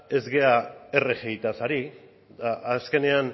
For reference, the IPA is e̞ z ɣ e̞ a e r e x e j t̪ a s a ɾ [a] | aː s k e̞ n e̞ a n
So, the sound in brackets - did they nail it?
no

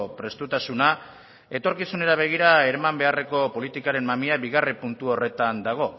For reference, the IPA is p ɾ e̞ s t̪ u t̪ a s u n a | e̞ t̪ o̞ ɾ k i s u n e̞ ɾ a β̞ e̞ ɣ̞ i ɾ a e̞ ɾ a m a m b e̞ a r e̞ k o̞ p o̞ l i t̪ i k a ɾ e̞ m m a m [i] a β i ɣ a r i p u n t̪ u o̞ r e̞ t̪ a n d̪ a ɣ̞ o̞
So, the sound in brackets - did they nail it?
yes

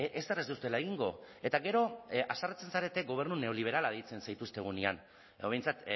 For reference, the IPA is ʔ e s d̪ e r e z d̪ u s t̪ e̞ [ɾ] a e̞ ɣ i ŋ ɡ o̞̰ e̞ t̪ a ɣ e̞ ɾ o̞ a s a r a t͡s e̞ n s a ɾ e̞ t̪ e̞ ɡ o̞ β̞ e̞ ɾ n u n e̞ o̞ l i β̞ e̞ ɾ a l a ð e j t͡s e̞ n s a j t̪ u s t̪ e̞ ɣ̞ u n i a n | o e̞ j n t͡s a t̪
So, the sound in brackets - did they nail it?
no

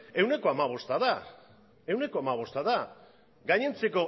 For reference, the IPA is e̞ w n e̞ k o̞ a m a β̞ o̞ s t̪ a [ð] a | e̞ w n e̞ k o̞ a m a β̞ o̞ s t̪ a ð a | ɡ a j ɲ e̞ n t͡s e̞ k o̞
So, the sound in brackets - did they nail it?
yes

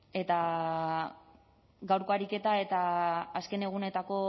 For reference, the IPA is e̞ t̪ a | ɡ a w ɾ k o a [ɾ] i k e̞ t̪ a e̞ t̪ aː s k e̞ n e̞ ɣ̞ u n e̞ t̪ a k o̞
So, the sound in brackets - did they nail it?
yes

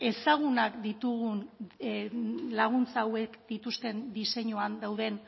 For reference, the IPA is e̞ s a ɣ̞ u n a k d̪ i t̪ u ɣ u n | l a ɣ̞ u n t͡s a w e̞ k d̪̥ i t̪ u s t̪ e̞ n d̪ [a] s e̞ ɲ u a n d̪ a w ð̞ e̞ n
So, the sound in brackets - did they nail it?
no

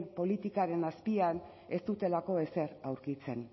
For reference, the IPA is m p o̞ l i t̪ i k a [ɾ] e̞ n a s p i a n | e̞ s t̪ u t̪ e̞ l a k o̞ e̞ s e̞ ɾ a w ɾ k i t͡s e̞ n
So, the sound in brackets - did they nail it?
yes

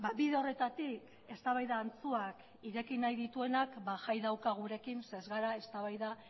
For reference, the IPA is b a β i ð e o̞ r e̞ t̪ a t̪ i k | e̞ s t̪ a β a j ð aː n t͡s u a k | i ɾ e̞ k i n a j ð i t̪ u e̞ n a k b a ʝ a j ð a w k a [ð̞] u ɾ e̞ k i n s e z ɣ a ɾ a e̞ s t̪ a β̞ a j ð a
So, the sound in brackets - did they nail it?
no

